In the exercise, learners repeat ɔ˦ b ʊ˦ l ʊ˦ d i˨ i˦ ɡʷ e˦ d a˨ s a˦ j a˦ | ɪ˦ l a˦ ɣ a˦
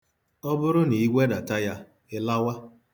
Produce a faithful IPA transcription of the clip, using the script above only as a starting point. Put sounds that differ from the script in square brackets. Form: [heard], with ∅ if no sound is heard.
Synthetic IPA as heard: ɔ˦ b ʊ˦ [ɾ] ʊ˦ [n] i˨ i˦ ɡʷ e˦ d a˨ [t] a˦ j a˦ | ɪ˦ l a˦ [w] a˦